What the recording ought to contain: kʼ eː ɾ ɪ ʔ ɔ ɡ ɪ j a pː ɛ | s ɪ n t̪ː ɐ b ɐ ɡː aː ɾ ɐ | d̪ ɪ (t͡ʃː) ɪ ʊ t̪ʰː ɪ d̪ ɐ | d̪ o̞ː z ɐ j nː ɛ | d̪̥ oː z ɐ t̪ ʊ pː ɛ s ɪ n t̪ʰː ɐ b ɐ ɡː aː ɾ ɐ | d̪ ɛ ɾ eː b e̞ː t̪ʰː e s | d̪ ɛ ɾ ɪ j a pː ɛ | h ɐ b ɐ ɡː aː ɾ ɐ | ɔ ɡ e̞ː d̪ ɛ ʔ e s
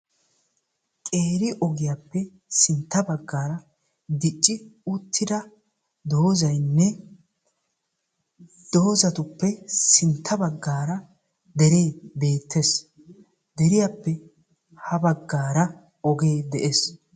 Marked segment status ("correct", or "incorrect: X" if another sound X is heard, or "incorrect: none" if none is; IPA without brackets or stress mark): incorrect: t͡ʃʼː